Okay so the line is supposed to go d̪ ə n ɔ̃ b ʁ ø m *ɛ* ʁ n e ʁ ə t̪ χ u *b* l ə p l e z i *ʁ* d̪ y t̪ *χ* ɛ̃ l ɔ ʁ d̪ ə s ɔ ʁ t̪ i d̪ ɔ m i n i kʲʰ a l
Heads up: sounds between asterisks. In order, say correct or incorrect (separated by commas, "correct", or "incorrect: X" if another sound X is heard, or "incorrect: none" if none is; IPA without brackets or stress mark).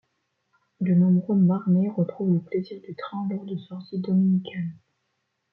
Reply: incorrect: a, incorrect: v, correct, correct